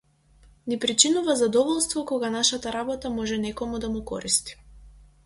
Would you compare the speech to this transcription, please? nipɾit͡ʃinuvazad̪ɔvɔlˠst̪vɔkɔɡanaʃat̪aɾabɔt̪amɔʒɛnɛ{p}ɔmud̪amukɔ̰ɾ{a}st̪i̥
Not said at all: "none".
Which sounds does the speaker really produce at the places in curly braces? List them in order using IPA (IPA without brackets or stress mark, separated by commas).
k, i